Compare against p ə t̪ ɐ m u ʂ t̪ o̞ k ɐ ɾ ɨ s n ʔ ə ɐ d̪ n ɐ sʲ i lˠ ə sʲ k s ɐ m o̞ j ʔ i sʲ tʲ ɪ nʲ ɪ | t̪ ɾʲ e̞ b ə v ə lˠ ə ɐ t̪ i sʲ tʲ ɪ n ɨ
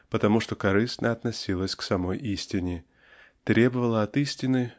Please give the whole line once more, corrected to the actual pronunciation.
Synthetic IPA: p ə t̪ ɐ m u ʂ t̪ o̞ k ɐ ɾ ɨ s n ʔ ə ɐ t̪ n ɐ sʲ i lˠ ə sʲ k s ɐ m o̞ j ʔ i sʲ tʲ ɪ nʲ ɪ | t̪ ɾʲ e̞ b ə v ə lˠ ə ɐ t̪ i sʲ tʲ ɪ n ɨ